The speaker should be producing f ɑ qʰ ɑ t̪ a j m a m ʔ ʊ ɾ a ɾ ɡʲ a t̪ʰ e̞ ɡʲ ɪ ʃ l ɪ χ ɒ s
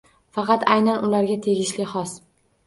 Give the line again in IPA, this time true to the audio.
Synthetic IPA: f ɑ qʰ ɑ t̪ a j n a n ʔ ʊ l a ɾ ɡʲ a t̪ʰ e̞ ɡʲ ɪ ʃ l ɪ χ ɒ s